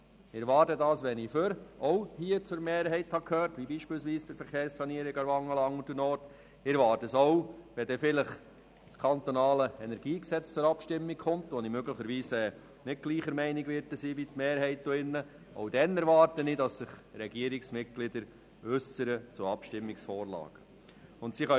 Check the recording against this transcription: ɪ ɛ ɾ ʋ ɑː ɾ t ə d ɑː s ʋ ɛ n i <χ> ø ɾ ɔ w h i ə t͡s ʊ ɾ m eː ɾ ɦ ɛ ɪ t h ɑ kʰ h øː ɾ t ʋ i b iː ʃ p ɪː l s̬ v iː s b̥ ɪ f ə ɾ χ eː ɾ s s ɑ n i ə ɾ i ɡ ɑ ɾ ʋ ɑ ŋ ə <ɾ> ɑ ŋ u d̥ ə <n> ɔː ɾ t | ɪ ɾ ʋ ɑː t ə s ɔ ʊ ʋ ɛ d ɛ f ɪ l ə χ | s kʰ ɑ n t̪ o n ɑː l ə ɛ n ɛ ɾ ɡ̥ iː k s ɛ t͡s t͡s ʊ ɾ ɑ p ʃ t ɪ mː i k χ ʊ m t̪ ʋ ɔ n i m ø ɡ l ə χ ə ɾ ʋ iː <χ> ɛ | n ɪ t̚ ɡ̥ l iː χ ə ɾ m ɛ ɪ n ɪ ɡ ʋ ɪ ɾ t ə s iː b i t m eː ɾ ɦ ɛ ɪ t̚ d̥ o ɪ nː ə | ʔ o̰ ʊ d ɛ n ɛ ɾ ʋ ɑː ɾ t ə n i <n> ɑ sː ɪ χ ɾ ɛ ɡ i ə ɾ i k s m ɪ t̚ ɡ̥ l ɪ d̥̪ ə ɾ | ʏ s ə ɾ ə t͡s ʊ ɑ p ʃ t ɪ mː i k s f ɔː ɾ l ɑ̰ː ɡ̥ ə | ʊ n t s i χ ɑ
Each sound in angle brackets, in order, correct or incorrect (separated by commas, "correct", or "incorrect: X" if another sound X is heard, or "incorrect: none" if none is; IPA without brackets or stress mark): incorrect: f, incorrect: l, correct, incorrect: s, incorrect: d